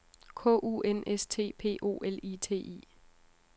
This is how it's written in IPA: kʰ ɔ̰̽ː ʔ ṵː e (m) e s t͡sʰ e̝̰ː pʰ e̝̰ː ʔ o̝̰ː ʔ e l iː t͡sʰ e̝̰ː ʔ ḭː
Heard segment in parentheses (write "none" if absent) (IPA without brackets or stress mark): n